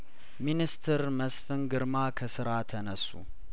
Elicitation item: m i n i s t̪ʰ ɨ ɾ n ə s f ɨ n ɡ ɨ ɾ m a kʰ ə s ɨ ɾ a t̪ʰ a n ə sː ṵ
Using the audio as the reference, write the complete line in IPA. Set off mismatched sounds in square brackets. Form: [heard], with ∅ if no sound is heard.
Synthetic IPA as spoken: m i n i s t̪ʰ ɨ ɾ [m] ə s f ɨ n ɡ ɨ ɾ m a kʰ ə s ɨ ɾ a t̪ʰ [ə] n ə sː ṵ